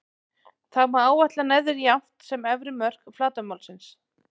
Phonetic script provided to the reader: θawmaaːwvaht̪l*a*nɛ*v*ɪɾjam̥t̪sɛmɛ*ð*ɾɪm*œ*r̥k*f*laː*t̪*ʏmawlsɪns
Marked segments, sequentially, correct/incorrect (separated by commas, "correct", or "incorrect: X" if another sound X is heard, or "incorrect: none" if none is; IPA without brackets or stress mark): correct, incorrect: ð, incorrect: v, correct, correct, correct